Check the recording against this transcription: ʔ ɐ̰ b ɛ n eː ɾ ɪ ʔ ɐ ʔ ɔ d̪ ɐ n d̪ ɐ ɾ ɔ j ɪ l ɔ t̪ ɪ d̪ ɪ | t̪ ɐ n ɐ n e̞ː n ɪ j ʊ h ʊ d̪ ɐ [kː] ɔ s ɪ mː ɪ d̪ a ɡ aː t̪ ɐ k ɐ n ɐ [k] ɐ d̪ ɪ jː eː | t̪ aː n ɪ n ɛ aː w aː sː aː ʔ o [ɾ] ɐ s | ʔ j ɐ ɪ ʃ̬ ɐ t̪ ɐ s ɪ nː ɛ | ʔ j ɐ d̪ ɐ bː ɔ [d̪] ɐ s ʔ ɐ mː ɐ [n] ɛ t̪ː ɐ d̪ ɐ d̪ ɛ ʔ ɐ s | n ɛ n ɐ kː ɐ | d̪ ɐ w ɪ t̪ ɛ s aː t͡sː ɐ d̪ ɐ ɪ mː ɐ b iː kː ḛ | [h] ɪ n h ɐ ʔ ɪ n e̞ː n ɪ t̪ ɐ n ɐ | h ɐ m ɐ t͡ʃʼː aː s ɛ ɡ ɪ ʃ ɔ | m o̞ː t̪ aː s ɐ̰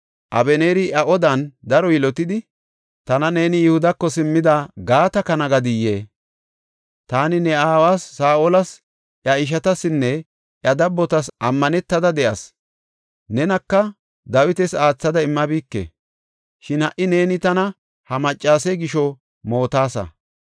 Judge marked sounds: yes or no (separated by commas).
yes, no, no, no, yes, no